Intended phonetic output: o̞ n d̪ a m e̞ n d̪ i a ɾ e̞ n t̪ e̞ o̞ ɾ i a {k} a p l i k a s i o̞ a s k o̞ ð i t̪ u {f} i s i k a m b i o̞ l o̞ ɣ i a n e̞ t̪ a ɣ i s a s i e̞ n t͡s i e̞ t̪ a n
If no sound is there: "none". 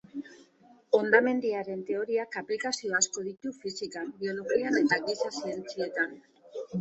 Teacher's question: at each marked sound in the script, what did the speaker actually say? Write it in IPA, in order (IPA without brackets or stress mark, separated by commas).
k, f